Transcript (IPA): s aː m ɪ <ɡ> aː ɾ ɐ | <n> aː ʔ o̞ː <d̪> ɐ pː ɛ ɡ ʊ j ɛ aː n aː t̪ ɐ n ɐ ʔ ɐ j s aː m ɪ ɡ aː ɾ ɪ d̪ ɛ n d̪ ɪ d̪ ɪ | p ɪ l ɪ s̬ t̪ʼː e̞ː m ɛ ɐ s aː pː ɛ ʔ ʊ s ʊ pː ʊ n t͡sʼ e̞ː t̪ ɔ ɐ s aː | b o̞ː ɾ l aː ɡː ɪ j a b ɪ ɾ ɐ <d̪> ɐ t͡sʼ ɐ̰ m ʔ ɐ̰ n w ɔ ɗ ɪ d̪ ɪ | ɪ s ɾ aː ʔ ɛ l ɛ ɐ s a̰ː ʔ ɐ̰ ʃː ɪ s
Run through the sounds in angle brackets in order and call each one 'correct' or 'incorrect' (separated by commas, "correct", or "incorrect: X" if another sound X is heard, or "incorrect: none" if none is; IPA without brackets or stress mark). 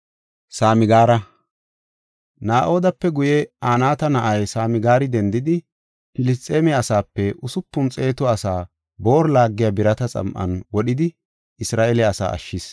correct, correct, correct, incorrect: t̪